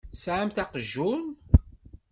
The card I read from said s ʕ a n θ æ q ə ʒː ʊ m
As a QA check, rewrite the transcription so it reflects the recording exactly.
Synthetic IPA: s ʕ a m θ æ q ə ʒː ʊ n